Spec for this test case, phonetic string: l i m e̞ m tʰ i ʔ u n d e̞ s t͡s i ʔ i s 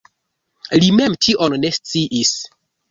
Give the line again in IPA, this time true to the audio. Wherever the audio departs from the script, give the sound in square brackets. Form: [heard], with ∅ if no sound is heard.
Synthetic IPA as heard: l i m e̞ m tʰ i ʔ [o] n [n] e̞ s t͡s i ʔ i s